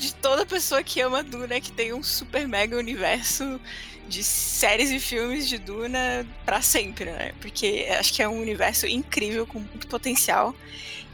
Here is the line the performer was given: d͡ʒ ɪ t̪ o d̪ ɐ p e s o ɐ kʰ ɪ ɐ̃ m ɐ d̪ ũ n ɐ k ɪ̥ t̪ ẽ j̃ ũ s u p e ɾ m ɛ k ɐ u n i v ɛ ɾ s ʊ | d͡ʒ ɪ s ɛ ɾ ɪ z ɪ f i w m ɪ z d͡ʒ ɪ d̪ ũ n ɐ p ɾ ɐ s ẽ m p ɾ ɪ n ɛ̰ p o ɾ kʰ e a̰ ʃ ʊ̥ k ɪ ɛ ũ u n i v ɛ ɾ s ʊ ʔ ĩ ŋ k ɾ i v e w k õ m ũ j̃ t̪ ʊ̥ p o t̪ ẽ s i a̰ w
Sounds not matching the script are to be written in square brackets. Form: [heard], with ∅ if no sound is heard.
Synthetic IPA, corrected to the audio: d͡ʒ ɪ t̪ o d̪ ɐ p e s o ɐ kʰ ɪ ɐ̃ m ɐ d̪ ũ n ɐ k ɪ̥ t̪ ẽ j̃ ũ s u p e ɾ m ɛ [ɡ] ɐ u n i v ɛ ɾ s ʊ | d͡ʒ ɪ s ɛ ɾ ɪ z ɪ f i w m ɪ z d͡ʒ ɪ d̪ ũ n ɐ p ɾ ɐ s ẽ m p ɾ ɪ n ɛ̰ p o ɾ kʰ e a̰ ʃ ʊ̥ k ɪ ɛ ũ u n i v ɛ ɾ s ʊ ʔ ĩ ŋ k ɾ i v e w k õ m ũ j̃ t̪ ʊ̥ p o t̪ ẽ s i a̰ w